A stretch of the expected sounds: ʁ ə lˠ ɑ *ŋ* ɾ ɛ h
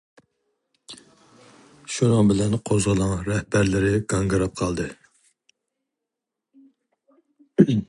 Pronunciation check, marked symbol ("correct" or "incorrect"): correct